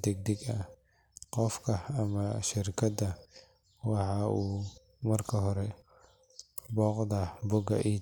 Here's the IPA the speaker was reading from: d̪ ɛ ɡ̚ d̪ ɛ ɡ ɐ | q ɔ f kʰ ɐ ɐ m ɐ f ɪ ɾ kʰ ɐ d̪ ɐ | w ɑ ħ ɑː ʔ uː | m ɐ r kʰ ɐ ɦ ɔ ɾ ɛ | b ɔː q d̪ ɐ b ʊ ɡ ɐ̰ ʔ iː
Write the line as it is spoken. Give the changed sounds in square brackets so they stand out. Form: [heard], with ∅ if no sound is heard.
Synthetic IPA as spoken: d̪ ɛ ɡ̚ d̪ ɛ ɡ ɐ | q ɔ f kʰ ɐ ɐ m ɐ [ʃ] ɪ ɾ kʰ ɐ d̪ ɐ | w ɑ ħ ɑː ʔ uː | m ɐ r kʰ ɐ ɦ ɔ ɾ ɛ | b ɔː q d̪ ɐ b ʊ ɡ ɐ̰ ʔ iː